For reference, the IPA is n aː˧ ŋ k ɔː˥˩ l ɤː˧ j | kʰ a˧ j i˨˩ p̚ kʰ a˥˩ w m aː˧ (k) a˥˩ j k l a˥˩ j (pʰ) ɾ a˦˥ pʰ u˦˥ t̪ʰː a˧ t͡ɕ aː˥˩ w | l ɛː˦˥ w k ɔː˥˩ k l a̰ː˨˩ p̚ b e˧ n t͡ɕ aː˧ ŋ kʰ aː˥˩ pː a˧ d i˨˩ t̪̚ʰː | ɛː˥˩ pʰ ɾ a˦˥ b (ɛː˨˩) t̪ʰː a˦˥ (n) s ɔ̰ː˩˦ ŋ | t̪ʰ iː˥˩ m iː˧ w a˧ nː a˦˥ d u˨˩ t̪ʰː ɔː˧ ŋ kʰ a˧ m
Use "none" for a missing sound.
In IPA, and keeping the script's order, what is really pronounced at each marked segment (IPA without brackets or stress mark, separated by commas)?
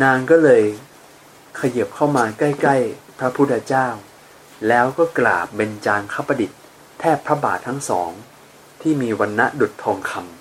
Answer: k, pʰ, aː˨˩, ŋ